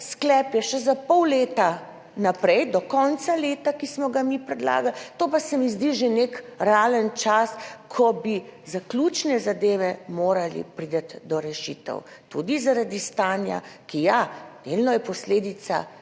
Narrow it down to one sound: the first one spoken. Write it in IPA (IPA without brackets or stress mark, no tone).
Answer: s